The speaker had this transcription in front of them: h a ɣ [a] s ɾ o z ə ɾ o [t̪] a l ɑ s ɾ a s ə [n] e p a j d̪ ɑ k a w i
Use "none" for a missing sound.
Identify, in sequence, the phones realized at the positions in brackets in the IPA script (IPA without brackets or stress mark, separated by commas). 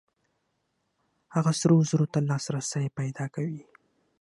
a, t̪, n